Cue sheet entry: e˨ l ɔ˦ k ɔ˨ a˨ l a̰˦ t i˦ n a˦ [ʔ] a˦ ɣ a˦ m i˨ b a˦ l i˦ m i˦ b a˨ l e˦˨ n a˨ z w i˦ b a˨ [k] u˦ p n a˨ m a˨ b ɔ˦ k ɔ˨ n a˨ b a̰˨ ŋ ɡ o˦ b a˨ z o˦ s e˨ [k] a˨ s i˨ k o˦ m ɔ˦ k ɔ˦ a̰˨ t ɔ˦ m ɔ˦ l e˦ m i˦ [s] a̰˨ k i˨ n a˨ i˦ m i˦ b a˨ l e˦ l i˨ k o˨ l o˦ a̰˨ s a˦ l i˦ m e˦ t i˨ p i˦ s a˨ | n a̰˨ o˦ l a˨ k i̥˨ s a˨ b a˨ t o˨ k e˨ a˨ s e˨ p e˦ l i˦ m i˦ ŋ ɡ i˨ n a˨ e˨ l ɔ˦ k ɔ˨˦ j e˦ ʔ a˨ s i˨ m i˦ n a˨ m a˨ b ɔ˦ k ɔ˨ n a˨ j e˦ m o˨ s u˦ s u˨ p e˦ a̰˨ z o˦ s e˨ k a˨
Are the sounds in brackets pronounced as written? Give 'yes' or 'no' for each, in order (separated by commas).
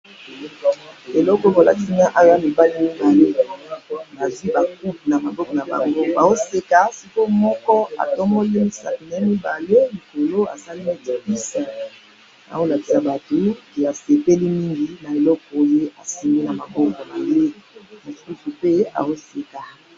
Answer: yes, yes, yes, yes